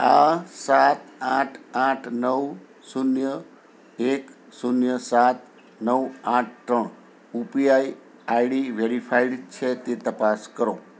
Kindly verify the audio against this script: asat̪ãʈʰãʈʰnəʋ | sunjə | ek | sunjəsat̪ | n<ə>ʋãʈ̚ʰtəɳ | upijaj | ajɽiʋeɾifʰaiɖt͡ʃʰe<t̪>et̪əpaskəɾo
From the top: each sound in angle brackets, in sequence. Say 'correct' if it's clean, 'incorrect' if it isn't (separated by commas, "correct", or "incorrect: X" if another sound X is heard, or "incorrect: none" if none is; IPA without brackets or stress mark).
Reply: correct, correct